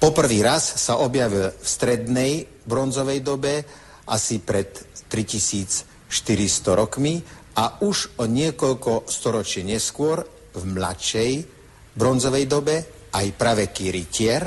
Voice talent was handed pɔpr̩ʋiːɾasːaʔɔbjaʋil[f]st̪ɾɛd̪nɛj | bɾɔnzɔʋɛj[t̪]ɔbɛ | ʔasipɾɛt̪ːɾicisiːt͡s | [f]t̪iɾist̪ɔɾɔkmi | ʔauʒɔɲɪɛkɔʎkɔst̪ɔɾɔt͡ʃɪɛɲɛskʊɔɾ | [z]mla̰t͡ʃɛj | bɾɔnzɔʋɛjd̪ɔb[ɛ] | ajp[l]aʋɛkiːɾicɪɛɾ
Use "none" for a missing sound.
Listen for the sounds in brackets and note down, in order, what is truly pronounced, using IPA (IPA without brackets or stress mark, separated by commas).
f, d̪, ʃ, v, ɛ, ɾ